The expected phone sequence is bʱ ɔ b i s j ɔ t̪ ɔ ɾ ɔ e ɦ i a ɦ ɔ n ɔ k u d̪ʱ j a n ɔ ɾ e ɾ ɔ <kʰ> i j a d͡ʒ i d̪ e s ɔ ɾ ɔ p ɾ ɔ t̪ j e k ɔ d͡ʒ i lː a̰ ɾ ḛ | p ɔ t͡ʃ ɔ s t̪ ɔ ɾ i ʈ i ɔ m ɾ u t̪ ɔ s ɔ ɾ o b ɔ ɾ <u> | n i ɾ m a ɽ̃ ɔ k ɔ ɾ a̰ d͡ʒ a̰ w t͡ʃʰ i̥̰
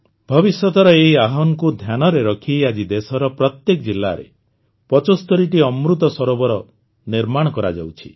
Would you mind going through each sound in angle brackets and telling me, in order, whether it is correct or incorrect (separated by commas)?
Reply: correct, incorrect